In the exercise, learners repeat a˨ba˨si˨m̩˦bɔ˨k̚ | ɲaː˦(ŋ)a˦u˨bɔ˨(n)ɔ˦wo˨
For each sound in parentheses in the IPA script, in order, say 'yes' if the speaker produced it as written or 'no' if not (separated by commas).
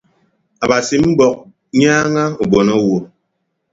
yes, yes